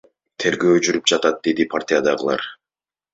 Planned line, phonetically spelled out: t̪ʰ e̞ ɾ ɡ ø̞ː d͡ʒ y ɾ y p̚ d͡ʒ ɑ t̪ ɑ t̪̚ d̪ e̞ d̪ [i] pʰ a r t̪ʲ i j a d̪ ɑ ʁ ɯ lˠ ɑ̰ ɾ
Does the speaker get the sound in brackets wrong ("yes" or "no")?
no